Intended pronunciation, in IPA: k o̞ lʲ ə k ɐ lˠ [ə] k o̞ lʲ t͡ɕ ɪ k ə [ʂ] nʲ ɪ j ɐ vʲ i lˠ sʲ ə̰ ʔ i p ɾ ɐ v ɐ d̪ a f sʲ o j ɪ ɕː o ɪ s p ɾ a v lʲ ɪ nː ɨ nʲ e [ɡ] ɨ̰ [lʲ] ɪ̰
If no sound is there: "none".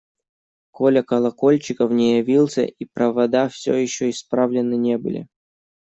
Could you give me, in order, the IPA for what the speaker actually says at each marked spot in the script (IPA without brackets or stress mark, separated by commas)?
ɐ, f, b, lʲ